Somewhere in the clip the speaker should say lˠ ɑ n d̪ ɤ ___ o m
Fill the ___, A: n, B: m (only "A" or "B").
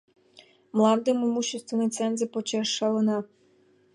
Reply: B